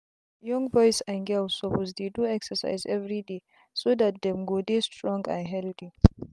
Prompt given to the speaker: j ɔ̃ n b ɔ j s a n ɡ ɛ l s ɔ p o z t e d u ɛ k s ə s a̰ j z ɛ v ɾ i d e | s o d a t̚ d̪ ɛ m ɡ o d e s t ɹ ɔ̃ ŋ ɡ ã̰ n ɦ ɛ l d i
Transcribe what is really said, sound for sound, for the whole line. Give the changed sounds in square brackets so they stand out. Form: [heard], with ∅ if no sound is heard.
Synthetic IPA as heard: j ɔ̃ [ŋ] b ɔ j s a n ɡ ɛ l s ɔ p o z [d] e d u ɛ k s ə s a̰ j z ɛ v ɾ i d e | s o d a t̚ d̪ ɛ m ɡ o d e s t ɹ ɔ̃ ŋ ɡ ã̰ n ɦ ɛ l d i